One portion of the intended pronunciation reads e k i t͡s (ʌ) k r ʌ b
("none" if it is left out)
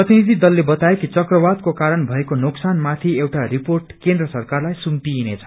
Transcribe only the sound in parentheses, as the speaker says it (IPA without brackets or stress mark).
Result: ʌ